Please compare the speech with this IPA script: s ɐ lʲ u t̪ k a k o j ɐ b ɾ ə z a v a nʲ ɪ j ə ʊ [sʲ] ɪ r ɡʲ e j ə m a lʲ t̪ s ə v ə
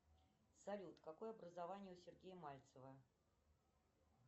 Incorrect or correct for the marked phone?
correct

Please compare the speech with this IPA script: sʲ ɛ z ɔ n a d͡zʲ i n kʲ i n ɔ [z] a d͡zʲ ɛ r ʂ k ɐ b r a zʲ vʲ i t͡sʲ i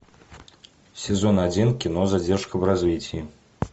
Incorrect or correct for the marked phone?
correct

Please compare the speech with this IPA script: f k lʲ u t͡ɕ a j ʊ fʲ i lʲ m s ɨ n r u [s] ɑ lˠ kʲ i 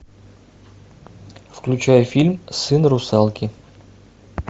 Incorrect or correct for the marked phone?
correct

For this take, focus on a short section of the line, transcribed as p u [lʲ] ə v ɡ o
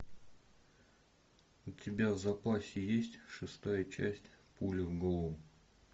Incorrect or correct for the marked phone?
correct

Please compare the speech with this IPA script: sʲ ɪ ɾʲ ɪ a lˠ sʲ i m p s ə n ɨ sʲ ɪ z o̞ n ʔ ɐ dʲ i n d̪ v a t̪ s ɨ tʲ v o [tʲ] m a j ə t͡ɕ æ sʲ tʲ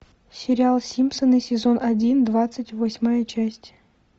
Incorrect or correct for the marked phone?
incorrect: sʲ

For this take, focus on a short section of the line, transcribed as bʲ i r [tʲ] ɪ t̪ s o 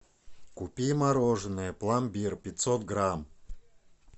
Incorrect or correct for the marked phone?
incorrect: pʲ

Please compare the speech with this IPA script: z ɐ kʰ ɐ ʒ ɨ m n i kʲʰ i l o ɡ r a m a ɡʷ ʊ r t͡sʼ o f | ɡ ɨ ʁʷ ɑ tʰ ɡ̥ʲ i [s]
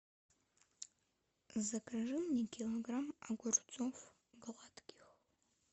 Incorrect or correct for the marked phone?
incorrect: x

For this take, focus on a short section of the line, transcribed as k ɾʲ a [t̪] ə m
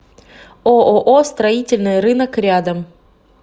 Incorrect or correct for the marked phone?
incorrect: d̪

